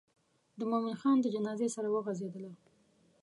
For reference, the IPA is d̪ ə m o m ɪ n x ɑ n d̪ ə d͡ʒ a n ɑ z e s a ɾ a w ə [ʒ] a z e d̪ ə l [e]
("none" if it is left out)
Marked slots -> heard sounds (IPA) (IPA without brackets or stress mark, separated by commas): ɣ, a